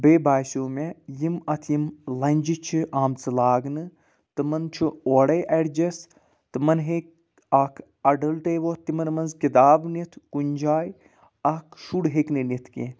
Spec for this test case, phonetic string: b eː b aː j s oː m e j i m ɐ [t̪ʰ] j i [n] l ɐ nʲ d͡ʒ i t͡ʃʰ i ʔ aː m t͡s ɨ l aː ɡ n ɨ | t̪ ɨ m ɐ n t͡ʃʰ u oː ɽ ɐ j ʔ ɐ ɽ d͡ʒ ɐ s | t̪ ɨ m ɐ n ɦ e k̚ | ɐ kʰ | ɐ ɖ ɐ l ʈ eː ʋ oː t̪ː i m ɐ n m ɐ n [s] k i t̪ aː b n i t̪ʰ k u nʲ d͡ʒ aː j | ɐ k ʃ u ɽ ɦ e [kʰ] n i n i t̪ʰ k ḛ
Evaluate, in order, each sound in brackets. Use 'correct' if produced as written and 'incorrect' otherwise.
correct, incorrect: m, incorrect: z, incorrect: k

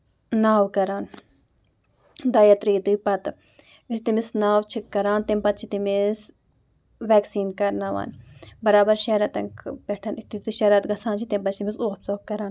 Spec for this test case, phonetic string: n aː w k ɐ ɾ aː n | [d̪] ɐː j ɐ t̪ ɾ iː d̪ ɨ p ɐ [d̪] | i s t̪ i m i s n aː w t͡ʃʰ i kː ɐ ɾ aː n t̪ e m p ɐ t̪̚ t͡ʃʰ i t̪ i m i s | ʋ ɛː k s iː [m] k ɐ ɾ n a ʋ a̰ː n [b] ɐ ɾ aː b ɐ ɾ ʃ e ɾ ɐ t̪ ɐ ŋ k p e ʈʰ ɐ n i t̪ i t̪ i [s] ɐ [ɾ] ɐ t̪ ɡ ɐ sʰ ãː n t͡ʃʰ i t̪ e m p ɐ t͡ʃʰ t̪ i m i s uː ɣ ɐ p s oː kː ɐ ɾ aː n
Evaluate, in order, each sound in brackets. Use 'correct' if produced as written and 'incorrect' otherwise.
correct, incorrect: t̪, incorrect: n, correct, incorrect: ʃ, correct

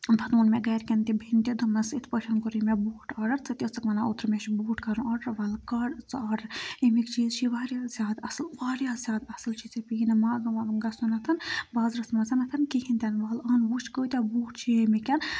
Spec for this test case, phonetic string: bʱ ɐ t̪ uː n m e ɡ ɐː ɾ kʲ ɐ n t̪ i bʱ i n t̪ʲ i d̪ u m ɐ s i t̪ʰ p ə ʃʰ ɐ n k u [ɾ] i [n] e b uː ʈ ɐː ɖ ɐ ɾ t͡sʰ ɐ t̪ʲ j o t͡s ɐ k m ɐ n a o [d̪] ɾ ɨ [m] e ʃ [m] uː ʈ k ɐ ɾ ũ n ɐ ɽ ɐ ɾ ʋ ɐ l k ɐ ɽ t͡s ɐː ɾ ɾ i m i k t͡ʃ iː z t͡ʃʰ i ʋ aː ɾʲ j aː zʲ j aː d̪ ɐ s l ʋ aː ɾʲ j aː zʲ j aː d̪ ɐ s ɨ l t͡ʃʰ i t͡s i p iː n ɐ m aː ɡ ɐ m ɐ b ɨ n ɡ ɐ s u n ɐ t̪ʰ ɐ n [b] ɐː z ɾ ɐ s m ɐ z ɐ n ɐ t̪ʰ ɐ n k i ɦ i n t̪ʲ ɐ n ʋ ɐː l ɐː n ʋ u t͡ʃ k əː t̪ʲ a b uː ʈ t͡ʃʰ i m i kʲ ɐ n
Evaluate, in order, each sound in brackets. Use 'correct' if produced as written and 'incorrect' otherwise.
correct, incorrect: m, incorrect: t̪, correct, incorrect: b, correct

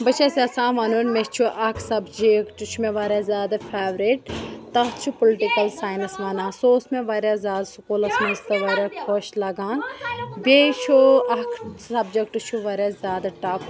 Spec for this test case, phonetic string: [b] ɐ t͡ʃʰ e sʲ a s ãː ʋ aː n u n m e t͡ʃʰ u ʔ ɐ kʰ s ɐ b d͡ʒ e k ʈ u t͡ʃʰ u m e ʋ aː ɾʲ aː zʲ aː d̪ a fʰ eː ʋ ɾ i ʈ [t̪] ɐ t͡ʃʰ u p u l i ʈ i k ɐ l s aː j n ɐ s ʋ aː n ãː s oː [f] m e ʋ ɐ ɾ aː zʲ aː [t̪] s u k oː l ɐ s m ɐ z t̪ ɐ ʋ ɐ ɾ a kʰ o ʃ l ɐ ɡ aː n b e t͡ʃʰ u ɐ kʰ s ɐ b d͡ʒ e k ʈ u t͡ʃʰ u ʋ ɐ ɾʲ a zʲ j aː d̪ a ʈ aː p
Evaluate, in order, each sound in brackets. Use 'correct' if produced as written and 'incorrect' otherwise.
correct, correct, incorrect: s, incorrect: d̪

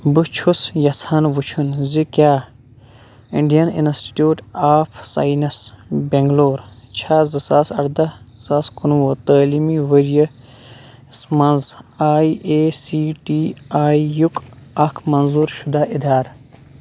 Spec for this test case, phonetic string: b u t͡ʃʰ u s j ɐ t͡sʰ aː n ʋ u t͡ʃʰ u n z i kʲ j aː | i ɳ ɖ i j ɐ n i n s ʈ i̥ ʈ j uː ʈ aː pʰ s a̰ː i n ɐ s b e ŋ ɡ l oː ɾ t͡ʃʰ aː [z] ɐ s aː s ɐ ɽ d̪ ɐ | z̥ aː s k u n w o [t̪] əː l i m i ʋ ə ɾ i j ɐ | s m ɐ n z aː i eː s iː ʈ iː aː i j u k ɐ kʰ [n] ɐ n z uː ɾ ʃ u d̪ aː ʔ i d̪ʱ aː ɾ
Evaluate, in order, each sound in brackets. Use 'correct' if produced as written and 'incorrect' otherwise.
correct, correct, incorrect: m

